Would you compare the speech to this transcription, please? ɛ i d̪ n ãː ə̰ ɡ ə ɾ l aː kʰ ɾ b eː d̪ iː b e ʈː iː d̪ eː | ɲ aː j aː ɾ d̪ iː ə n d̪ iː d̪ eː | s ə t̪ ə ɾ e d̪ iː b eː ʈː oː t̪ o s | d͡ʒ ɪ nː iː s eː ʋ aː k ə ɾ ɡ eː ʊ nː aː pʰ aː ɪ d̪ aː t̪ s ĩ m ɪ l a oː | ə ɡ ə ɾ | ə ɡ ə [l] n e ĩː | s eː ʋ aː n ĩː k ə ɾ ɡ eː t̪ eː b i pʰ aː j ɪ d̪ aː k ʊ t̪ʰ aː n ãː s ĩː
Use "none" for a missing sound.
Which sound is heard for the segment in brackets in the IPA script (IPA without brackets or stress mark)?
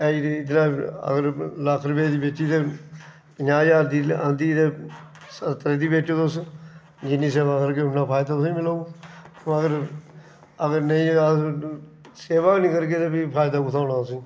ɾ